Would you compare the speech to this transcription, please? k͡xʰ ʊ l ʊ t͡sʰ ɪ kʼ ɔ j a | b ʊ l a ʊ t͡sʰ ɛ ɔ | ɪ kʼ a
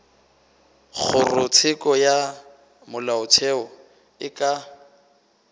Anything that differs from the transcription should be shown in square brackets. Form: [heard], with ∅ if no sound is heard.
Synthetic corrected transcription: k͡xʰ ʊ [r] ʊ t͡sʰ ɪ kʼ ɔ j a | [m] ʊ l a ʊ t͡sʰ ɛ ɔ | ɪ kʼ a